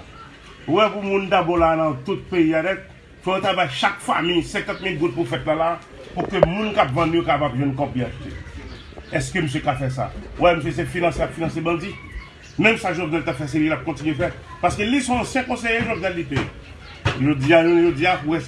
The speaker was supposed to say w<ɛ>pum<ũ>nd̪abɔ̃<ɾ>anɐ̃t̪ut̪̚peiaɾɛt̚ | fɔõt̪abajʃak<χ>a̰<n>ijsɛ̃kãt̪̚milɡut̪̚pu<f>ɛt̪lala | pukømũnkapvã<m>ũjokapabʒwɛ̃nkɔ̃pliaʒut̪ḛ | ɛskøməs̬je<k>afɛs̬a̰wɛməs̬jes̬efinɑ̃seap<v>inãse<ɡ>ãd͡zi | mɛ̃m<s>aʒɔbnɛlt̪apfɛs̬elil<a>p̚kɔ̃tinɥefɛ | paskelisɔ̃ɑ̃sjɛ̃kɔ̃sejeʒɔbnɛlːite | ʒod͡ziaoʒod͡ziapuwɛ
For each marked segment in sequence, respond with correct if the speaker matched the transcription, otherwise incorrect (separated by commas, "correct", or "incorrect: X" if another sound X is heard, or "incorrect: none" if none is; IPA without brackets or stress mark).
correct, correct, incorrect: l, incorrect: f, incorrect: m, correct, incorrect: n, correct, incorrect: f, incorrect: b, correct, correct